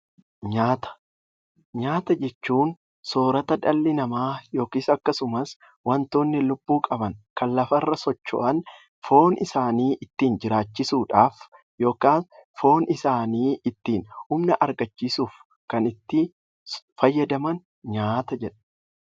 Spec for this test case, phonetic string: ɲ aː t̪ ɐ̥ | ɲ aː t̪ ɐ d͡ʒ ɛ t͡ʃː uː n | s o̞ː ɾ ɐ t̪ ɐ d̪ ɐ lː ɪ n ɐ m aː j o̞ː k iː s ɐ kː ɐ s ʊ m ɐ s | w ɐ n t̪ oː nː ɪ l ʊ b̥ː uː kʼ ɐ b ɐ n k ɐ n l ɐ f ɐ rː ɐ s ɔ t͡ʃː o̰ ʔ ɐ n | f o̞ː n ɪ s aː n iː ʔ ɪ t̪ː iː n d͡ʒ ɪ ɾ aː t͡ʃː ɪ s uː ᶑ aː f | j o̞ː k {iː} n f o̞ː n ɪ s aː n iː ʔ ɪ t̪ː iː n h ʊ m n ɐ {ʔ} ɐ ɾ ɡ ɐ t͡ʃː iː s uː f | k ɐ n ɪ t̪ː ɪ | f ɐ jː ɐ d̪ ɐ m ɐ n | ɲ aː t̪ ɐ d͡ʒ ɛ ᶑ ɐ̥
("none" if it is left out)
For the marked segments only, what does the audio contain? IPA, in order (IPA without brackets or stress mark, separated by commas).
aː, ʔ